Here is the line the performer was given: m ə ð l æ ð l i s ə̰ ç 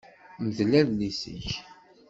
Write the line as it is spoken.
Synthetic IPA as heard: m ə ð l æ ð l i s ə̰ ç